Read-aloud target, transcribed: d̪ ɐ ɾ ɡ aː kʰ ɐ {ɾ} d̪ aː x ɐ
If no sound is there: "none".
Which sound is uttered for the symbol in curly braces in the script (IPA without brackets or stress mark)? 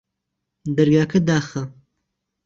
none